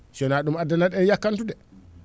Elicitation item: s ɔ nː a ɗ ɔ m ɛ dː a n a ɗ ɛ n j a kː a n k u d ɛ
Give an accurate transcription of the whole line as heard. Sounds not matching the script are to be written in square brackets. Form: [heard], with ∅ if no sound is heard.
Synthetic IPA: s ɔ [n] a ɗ [u] m [a] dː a n a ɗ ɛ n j a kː a n [t] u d ɛ